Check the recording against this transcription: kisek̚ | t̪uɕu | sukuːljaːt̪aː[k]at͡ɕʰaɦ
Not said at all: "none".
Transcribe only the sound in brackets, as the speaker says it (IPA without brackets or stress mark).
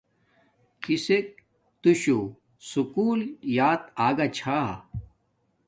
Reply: ɡ